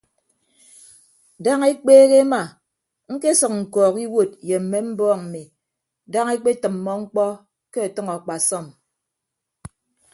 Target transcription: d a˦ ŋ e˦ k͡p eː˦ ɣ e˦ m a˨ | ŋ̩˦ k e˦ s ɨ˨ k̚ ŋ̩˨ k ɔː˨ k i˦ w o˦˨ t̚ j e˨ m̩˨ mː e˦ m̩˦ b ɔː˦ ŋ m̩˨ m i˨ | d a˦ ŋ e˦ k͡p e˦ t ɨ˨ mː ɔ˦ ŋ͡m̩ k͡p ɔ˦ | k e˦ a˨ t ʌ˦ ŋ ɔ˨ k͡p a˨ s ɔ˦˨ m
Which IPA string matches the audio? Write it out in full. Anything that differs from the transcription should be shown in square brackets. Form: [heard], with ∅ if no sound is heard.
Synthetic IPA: d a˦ ŋ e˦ k͡p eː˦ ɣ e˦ m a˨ | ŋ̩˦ k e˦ s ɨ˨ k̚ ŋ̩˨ k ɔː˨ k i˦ w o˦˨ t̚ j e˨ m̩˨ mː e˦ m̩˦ b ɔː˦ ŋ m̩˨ m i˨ | d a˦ ŋ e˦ k͡p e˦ t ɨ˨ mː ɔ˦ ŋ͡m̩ k͡p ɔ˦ | k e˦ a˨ t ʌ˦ ŋ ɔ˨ k͡p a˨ s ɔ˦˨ m